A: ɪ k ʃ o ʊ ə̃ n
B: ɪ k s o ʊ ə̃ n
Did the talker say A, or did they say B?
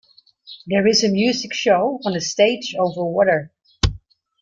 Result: A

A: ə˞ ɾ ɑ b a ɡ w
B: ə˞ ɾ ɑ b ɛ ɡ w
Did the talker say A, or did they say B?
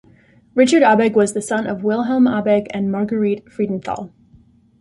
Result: B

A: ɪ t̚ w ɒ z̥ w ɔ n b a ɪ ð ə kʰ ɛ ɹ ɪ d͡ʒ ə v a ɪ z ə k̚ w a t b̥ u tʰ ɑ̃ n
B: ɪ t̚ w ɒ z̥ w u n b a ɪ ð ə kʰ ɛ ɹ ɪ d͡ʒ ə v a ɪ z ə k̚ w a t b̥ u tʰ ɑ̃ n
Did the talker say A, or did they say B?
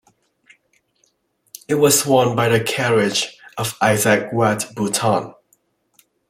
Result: A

